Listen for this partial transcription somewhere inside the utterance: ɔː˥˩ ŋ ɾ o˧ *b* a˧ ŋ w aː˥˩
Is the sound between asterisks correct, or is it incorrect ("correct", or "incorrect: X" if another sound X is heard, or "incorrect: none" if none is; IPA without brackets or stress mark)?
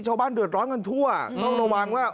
incorrect: w